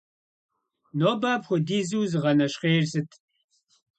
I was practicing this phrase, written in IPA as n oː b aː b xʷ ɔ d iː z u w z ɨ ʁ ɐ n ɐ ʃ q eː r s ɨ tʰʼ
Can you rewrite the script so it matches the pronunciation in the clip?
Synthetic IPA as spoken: n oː b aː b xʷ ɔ d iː z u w z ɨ ʁ ɐ n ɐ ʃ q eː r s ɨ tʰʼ